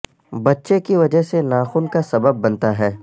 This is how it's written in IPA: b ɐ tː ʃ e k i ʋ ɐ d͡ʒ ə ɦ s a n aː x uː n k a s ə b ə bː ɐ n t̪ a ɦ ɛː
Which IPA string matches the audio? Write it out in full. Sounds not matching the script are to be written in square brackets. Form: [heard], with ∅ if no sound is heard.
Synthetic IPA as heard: b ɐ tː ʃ e k i ʋ ɐ d͡ʒ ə ɦ s [e] n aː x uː n k a s [ɐ] b ə bː ɐ n t̪ a ɦ ɛː